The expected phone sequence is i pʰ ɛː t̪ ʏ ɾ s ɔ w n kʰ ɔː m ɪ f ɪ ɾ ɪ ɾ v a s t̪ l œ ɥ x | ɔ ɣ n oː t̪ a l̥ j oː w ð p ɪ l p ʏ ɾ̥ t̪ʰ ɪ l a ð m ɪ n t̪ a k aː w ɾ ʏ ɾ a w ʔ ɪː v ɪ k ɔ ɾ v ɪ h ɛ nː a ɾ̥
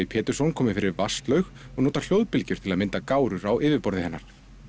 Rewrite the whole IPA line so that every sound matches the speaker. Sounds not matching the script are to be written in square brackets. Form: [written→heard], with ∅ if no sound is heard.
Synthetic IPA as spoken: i pʰ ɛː t̪ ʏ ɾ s ɔ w n kʰ ɔː m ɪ f ɪ ɾ ɪ ɾ v a s t̪ l œ ɥ x | ɔ ɣ n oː t̪ a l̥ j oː w ð p ɪ l [p→c] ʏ ɾ̥ t̪ʰ ɪ l a ð m ɪ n t̪ a k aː w ɾ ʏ ɾ a w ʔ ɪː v ɪ [k→p] ɔ ɾ [v→ð] ɪ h ɛ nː a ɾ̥